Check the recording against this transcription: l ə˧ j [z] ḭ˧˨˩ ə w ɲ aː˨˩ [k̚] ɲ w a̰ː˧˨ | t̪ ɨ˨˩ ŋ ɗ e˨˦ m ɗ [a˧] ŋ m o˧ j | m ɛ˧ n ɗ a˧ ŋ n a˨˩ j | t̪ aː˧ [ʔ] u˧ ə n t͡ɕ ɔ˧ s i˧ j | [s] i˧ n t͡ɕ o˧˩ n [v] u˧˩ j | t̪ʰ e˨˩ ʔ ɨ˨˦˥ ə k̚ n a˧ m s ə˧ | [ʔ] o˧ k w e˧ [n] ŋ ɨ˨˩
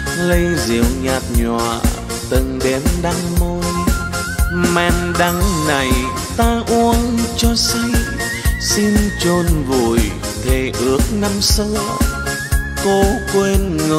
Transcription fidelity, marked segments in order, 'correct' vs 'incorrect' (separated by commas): correct, incorrect, correct, correct, correct, correct, incorrect, correct